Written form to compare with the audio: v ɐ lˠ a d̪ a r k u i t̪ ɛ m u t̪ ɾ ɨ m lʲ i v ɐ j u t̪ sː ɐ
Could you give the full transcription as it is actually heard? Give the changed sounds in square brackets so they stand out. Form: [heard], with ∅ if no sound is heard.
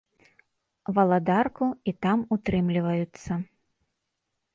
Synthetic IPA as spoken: v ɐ lˠ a d̪ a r k u i t̪ [a] m u t̪ ɾ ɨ m lʲ i v ɐ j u t̪ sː ɐ